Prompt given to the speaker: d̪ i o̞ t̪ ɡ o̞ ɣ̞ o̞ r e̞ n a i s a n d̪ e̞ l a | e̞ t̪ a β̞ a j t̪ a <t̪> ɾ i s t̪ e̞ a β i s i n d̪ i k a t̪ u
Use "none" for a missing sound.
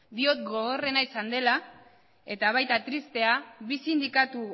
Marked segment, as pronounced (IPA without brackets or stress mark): t̪